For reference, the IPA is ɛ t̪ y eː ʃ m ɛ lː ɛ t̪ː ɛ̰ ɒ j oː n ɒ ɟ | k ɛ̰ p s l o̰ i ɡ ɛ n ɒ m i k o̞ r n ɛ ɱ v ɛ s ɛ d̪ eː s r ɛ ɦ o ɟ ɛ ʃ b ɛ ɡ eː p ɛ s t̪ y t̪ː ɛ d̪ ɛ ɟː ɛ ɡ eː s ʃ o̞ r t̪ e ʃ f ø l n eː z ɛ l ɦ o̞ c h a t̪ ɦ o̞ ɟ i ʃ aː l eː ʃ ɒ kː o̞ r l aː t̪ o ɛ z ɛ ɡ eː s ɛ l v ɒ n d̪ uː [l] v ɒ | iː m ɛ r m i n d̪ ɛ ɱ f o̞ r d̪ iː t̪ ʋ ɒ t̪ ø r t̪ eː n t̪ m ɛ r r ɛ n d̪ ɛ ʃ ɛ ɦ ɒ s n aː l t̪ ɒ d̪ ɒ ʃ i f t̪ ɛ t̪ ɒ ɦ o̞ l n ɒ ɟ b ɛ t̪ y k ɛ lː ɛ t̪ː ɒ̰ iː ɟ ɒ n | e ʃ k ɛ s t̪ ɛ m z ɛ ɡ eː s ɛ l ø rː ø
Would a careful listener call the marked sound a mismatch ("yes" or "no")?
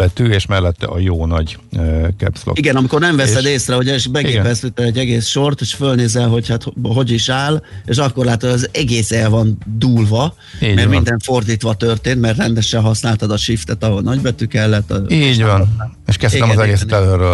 no